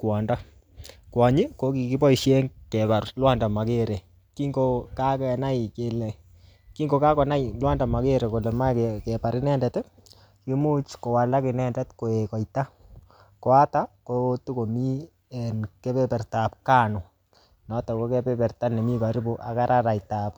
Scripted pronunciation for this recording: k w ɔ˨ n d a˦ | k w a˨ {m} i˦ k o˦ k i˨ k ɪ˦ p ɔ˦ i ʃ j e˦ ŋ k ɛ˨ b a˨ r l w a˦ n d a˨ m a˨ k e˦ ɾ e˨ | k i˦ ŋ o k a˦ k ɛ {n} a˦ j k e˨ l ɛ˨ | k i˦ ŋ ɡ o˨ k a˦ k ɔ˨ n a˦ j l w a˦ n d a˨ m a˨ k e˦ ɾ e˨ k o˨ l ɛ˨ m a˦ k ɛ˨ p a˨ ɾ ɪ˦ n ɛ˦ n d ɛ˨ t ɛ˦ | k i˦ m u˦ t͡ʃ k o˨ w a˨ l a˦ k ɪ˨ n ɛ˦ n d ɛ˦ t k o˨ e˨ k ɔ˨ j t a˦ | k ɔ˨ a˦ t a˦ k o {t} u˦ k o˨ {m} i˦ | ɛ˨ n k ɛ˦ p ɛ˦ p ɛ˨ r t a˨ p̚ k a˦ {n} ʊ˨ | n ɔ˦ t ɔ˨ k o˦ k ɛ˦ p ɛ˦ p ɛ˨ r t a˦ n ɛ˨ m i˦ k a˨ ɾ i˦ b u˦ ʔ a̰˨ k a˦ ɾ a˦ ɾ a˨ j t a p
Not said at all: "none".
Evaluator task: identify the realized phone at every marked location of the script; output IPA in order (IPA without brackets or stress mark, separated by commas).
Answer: ɲ, n, t, m, n